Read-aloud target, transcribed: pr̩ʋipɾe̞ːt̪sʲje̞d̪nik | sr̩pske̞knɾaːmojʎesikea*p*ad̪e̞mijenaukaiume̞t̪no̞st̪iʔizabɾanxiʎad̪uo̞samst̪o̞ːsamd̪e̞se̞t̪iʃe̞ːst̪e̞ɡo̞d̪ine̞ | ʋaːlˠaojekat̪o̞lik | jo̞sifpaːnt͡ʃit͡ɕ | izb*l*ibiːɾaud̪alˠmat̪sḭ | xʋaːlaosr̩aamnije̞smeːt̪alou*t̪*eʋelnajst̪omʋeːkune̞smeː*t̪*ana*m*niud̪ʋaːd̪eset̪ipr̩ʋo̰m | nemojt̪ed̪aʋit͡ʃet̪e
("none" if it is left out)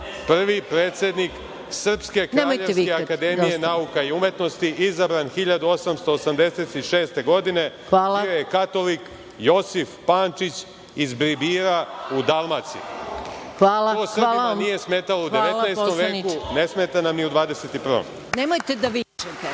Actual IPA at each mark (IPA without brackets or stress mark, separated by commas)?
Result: k, ɾ, d̪, t̪, m